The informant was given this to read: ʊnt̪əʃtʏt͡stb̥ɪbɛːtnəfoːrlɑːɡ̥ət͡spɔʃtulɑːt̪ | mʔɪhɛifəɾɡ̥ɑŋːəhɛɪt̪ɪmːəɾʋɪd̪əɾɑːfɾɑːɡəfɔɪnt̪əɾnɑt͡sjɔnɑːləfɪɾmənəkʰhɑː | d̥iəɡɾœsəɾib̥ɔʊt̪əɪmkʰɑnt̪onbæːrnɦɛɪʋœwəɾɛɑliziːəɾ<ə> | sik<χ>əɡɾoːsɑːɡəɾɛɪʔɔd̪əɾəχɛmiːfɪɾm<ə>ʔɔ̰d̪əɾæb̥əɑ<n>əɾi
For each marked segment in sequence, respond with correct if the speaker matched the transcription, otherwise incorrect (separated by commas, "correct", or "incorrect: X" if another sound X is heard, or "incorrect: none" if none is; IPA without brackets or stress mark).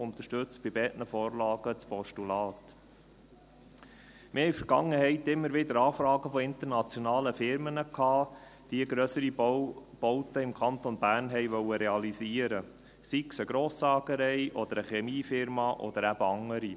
correct, incorrect: s, incorrect: ɑ, incorrect: ŋ